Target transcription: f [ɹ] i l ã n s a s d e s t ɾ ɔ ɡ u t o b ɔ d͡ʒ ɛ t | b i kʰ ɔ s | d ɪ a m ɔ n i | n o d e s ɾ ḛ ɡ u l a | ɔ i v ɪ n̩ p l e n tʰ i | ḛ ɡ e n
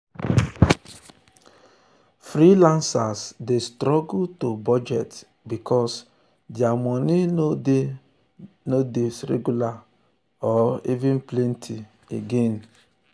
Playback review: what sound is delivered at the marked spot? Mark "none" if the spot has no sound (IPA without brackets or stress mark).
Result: ɾ